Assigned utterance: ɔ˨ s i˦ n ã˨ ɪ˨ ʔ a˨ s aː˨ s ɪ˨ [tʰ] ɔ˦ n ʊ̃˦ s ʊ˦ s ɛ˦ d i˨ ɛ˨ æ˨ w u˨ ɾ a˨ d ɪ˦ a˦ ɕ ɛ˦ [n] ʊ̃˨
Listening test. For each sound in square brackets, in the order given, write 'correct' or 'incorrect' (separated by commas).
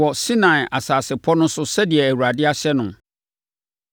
incorrect, correct